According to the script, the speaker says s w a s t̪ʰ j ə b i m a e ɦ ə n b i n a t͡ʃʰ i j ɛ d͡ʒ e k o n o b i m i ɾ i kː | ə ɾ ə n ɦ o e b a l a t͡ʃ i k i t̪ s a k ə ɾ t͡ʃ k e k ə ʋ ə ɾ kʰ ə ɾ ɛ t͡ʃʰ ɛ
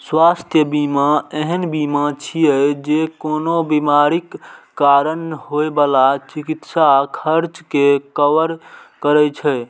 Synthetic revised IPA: s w a s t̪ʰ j ə b i m a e ɦ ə n b i m a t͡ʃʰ i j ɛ d͡ʒ e k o n o b i m a ɾ i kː | a ɾ ə n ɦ o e b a l a t͡ʃ i k i t̪ s a kʰ ə ɾ t͡ʃ k e k ə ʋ ə ɾ k ə ɾ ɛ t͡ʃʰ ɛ